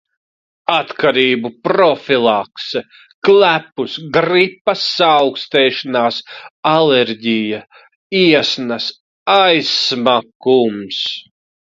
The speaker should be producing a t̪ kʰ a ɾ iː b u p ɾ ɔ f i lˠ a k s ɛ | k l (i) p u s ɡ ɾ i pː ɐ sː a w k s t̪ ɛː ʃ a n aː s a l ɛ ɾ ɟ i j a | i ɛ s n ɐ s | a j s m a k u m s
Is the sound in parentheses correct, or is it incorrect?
incorrect